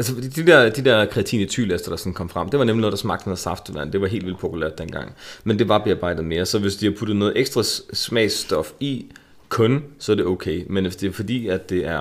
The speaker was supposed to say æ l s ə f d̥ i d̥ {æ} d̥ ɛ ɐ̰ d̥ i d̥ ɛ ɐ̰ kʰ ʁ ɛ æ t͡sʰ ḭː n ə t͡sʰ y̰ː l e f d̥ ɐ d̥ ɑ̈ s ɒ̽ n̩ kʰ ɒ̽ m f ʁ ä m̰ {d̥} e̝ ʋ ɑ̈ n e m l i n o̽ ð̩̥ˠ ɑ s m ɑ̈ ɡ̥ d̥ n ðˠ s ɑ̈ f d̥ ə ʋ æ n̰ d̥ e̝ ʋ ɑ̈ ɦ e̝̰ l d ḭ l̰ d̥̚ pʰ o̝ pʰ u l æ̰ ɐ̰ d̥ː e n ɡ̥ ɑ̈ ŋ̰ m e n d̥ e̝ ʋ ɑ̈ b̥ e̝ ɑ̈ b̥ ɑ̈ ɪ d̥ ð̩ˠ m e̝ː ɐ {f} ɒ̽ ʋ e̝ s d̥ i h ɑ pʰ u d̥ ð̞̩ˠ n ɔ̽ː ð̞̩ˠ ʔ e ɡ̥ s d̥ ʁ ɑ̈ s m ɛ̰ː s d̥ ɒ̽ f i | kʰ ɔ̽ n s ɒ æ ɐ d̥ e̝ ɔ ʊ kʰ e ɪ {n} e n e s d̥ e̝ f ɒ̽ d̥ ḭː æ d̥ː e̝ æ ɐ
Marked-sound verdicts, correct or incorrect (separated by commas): incorrect, correct, incorrect, incorrect